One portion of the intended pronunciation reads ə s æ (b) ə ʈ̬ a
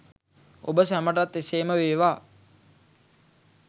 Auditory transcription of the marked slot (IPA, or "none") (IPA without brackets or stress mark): m